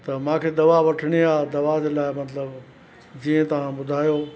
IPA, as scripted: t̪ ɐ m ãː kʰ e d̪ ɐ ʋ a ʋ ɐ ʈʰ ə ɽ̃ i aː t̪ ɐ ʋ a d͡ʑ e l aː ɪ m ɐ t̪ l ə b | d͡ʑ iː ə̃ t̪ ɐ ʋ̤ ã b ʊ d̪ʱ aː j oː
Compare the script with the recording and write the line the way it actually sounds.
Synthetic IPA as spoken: t̪ ɐ m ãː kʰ e d̪ ɐ ʋ a ʋ ɐ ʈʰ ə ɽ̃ i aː d̪ ɐ ʋ a d͡ʑ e l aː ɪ m ɐ t̪ l ə b | d͡ʑ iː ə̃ t̪ ɐ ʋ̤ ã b ʊ d̪ʱ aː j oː